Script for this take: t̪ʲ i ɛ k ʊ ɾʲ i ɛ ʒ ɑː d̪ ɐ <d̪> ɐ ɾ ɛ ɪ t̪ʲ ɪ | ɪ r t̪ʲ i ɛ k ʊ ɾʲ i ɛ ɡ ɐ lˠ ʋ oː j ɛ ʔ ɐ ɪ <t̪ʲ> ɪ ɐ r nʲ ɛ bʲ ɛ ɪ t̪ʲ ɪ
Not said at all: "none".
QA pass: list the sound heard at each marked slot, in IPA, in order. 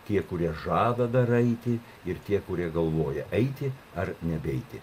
d̪, t̪ʲ

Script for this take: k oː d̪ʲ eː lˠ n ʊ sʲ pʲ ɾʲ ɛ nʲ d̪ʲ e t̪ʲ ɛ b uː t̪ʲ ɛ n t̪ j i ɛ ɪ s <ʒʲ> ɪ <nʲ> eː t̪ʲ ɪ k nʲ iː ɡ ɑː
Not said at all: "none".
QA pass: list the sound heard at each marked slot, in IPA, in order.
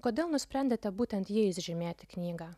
ʒʲ, mʲ

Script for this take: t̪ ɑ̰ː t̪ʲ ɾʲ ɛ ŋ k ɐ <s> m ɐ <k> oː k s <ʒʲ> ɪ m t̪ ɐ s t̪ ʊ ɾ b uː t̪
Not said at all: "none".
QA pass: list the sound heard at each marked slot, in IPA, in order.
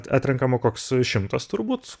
none, k, ʃʲ

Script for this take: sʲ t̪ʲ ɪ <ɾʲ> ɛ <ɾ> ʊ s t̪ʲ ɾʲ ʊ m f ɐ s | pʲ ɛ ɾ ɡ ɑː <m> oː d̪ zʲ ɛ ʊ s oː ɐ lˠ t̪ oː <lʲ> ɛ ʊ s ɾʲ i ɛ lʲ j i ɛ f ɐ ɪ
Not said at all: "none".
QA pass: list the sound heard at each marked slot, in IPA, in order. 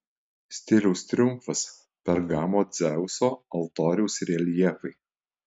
lʲ, none, m, ɾʲ

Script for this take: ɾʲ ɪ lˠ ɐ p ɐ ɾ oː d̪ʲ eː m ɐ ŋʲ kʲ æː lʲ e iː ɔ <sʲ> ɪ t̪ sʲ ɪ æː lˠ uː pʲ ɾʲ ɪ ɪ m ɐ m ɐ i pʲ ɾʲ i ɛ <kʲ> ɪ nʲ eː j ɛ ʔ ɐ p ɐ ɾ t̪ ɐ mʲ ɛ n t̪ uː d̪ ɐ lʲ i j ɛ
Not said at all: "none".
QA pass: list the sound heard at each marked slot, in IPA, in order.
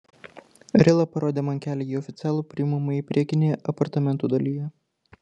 fʲ, kʲ

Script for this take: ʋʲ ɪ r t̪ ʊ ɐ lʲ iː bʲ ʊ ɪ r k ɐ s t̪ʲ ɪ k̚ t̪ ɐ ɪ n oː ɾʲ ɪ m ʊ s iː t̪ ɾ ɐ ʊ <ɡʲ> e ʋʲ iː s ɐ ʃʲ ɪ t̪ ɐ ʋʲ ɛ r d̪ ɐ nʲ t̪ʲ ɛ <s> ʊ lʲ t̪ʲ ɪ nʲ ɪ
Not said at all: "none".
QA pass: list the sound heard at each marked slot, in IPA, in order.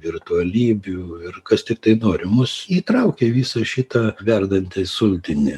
kʲ, s

